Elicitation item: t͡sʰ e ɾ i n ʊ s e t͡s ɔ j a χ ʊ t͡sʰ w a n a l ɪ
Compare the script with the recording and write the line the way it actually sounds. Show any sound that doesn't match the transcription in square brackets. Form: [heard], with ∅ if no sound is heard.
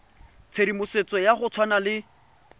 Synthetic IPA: t͡sʰ e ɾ i [m] ʊ s e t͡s ɔ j a χ ʊ t͡sʰ w a n a l ɪ

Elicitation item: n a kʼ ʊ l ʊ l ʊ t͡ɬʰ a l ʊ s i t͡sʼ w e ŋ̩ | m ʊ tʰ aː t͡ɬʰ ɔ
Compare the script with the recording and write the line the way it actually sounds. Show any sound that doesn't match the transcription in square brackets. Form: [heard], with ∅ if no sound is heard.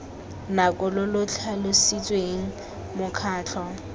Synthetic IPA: n a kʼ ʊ l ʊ l ʊ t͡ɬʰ a l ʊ s i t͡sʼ w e ŋ̩ | m ʊ [kʰ] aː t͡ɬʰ ɔ

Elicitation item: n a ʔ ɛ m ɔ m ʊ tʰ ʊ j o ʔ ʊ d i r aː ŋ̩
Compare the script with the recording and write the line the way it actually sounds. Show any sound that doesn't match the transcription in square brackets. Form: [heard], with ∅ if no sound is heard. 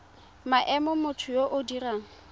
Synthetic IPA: [m] a ʔ ɛ m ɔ m ʊ tʰ ʊ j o ʔ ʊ d i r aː ŋ̩

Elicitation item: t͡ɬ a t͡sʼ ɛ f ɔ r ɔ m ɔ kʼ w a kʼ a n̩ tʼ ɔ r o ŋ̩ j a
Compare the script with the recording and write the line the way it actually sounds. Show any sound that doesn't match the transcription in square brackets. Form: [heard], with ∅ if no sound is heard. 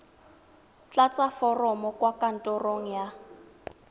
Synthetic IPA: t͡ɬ a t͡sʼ [a] f ɔ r ɔ m ɔ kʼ w a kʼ a n̩ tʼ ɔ r o ŋ̩ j a

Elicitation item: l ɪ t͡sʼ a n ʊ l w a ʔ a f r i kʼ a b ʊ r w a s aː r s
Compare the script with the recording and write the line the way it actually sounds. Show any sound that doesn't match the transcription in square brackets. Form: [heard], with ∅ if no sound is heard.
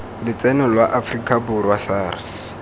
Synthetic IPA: l ɪ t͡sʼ [ɛ] n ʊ l w a ʔ a f r i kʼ a b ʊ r w a s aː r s

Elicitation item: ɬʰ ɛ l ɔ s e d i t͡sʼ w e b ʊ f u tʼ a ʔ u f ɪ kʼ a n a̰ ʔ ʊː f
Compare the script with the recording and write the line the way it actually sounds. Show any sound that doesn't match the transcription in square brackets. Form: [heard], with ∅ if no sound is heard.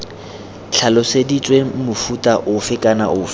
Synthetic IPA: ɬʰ [a] l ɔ s e d i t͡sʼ w e [m] ʊ f u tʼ a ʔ [ʊ] f ɪ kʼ a n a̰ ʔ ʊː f

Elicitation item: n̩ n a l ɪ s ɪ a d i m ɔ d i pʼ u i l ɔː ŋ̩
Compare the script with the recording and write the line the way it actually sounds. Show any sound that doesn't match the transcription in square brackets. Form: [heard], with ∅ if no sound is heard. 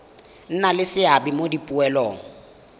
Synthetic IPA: n̩ n a l ɪ s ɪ a [b] i m [o] d i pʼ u [ɛ] l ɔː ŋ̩

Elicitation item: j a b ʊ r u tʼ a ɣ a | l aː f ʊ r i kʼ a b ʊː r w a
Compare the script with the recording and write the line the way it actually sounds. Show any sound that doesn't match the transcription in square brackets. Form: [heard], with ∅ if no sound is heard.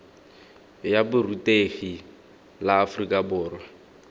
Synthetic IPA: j a b ʊ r u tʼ [e] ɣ [i] | l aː f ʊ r i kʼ a b ʊː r w a

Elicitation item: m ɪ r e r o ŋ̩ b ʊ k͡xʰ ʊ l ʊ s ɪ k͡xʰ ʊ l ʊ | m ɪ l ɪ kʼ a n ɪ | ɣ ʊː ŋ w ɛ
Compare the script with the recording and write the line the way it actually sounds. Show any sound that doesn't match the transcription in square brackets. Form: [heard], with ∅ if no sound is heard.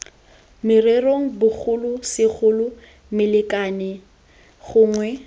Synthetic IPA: m ɪ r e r o ŋ̩ b ʊ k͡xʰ ʊ l ʊ s ɪ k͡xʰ ʊ l ʊ | m ɪ l ɪ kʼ a n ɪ | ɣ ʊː ŋ w ɛ

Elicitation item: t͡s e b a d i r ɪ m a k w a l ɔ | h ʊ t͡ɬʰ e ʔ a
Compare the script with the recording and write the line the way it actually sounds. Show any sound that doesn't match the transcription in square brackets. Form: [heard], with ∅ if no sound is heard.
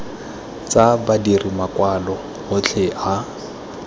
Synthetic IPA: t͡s [a] b a d i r [i] m a k w a l ɔ | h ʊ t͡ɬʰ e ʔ a

